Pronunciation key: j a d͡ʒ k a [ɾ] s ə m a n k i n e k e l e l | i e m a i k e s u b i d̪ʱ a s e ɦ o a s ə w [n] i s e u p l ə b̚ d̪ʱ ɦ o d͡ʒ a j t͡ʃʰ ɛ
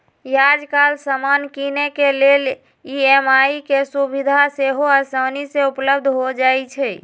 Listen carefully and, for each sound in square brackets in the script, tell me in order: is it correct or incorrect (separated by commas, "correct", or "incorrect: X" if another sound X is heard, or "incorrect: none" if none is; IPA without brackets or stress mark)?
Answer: incorrect: l, correct